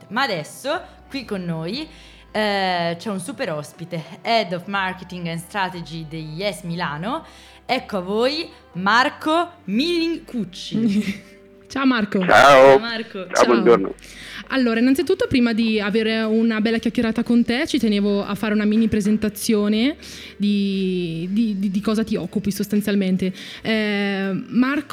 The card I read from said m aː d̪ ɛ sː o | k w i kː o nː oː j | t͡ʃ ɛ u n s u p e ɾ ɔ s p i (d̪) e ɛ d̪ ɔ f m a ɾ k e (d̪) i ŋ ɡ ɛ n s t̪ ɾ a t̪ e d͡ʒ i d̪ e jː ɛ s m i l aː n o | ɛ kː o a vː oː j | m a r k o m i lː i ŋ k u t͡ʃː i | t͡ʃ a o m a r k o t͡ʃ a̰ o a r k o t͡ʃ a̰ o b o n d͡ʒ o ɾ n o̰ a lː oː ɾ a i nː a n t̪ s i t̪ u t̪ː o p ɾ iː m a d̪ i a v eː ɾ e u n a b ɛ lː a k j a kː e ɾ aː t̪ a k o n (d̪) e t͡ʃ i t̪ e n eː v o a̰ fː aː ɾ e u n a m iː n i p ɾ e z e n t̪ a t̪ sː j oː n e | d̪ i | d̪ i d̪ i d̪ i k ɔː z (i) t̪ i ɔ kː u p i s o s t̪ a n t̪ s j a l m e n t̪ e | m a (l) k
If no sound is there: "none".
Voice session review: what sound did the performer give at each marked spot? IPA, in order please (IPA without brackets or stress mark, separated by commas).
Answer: t̪, t̪, t̪, a, r